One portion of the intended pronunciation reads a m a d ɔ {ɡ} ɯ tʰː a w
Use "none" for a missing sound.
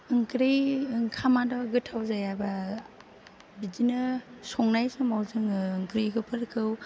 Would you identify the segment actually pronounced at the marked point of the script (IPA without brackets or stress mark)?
ɡ